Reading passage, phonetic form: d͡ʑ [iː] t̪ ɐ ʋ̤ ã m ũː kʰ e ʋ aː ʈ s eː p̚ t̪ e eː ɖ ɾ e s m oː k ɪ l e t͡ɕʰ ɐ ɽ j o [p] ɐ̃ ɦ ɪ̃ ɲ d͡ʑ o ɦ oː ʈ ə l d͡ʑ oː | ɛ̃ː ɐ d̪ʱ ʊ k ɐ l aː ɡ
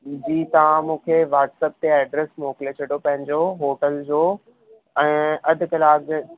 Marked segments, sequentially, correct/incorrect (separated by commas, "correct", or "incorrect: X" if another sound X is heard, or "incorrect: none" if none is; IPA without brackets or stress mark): correct, correct